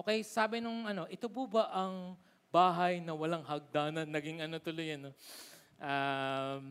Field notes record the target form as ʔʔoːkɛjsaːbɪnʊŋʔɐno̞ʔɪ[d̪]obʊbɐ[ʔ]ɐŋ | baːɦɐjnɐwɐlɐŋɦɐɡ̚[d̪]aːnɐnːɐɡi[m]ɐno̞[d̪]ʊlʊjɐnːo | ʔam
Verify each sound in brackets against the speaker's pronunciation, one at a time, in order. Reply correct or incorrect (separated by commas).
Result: incorrect, correct, correct, incorrect, incorrect